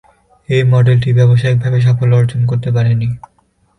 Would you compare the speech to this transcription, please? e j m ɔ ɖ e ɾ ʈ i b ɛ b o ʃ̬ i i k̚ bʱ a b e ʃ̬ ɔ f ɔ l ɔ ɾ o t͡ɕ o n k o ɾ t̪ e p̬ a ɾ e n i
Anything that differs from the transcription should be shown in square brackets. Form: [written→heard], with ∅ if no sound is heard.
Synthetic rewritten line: e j m ɔ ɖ e [ɾ→l] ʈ i b ɛ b o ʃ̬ [i→a] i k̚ bʱ a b e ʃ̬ ɔ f [ɔ→o] l ɔ ɾ o t͡ɕ o n k o ɾ t̪ e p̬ a ɾ e n i

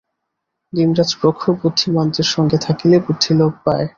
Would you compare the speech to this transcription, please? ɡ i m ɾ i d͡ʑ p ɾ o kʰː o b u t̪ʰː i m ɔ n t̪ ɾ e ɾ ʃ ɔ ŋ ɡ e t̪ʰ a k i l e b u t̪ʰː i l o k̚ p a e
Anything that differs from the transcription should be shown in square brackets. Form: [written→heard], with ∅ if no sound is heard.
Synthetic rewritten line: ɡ i m ɾ [i→a] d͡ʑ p ɾ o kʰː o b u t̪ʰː i m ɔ n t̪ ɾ e ɾ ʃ ɔ ŋ ɡ e t̪ʰ a k i l e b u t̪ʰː i l o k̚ p a e

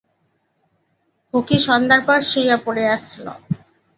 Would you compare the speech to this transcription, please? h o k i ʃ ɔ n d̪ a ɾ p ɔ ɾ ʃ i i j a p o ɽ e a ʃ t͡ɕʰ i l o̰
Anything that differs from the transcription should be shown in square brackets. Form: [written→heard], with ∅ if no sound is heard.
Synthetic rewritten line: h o k i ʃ ɔ n d̪ a ɾ p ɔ ɾ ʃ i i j a p o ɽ e a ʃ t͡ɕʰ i l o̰

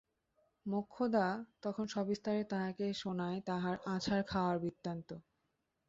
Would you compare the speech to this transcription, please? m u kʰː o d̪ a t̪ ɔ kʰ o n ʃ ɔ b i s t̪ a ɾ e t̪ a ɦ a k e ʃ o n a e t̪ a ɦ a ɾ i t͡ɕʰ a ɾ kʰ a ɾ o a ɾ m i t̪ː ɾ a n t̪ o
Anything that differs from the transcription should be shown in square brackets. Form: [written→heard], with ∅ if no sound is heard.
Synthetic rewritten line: m [u→o] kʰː o d̪ a t̪ ɔ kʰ o n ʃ ɔ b i s t̪ a ɾ e t̪ a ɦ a k e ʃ o n a e t̪ a ɦ a ɾ [i→a] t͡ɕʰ a ɾ kʰ a [ɾ→∅] o a ɾ [m→b] i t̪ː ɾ a n t̪ o

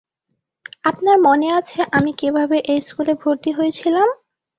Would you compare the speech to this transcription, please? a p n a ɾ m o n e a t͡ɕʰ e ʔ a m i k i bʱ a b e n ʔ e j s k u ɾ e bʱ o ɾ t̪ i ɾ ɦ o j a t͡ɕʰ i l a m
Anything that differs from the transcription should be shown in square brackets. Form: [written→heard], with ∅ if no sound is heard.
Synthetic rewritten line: a p n a ɾ m o n e a t͡ɕʰ e ʔ a m i k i bʱ a b e [n→∅] ʔ e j s k u [ɾ→l] e bʱ o ɾ t̪ i [ɾ→∅] ɦ o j [a→e] t͡ɕʰ i l a m

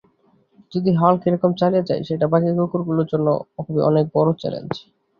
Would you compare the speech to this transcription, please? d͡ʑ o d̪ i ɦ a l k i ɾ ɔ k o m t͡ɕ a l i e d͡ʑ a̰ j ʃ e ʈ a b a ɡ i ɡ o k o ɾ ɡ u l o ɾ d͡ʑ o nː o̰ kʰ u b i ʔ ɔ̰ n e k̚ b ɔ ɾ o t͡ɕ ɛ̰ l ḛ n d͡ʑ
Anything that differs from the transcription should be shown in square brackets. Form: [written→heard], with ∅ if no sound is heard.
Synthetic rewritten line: d͡ʑ o d̪ i ɦ a l k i ɾ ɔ k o m t͡ɕ a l i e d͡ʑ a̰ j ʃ e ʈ a b a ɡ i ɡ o k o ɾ ɡ u l o ɾ d͡ʑ o nː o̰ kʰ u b i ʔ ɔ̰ n e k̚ b ɔ ɾ o t͡ɕ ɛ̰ l ḛ n d͡ʑ

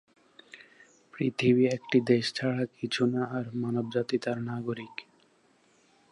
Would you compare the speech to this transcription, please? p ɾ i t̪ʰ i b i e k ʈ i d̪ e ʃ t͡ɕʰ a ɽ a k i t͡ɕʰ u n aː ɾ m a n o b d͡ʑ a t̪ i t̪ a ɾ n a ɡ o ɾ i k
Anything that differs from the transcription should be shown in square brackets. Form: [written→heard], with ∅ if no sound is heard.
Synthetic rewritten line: p ɾ i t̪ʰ i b i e k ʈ i d̪ e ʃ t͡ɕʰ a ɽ a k i t͡ɕʰ u n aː ɾ m a n o b d͡ʑ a t̪ i t̪ a ɾ n a ɡ o ɾ i k

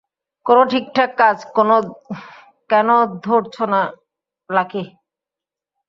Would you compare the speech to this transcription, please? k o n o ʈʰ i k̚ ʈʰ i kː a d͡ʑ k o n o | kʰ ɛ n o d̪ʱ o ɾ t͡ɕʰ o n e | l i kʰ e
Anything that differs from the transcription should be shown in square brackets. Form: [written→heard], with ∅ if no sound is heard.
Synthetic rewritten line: k o n o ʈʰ i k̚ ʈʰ [i→a] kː a d͡ʑ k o n o | [kʰ→k] ɛ n o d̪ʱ o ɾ t͡ɕʰ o n [e→a] | l [i→a] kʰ e

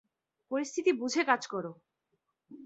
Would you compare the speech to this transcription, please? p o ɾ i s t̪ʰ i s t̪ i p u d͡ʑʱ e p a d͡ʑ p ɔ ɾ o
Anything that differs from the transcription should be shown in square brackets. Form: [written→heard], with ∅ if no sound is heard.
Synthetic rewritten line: p o ɾ i s t̪ʰ i [s→∅] t̪ i [p→b] u d͡ʑʱ e [p→k] a d͡ʑ [p→k] ɔ ɾ o

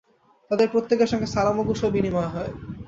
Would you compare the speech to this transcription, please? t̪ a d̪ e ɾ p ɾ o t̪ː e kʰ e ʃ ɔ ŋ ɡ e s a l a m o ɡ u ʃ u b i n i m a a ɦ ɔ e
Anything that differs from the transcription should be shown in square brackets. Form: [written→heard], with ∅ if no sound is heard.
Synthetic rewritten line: t̪ a d̪ e ɾ p ɾ o t̪ː e [kʰ→k] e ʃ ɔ ŋ ɡ e s a l a m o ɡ u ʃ [u→o] b i n i m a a ɦ ɔ e

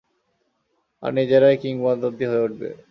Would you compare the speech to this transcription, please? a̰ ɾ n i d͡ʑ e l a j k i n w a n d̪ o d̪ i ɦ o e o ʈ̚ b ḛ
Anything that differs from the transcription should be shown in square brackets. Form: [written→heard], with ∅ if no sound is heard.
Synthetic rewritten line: a̰ ɾ n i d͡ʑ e [l→ɾ] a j k i [n→ŋ] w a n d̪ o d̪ i ɦ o e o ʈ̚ b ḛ

